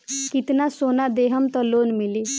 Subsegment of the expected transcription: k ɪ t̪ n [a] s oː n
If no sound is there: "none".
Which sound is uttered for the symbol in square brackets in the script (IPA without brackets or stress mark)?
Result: a